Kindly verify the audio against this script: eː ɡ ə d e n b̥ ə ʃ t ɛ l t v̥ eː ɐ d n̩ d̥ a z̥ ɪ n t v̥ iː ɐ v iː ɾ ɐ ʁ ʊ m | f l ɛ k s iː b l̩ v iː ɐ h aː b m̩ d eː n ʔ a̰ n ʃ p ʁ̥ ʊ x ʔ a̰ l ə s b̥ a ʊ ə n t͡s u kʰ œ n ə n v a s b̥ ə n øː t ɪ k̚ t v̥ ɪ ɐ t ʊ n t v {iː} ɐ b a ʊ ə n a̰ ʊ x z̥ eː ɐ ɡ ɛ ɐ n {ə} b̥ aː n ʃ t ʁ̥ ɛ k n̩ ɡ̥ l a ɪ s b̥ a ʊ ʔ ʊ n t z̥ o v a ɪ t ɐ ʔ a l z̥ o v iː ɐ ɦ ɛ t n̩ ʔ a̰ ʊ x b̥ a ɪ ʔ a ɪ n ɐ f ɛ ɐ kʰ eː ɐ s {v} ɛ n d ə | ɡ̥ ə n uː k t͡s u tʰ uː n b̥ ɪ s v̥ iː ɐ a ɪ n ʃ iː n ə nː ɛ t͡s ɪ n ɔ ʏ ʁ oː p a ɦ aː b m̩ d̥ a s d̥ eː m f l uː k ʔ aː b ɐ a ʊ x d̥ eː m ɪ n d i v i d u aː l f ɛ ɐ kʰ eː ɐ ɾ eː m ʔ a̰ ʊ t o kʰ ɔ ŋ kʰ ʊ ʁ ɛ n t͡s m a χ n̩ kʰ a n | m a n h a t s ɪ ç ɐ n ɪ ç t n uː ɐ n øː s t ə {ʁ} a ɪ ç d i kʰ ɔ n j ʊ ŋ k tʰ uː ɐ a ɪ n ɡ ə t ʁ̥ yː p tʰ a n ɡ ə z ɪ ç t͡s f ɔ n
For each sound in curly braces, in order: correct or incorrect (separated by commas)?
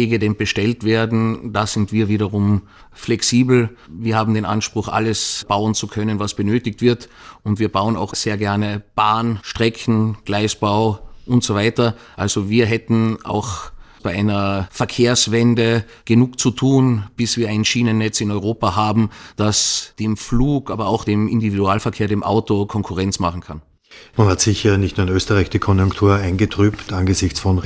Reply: correct, correct, correct, correct